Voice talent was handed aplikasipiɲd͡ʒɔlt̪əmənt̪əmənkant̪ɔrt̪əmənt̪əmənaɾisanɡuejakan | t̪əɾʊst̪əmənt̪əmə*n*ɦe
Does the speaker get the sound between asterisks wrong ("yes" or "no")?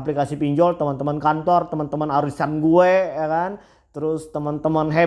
no